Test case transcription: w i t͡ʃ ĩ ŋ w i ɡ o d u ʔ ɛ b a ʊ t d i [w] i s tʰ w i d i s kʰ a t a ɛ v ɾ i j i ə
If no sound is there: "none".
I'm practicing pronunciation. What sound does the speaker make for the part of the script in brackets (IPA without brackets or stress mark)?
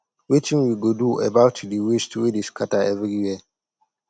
w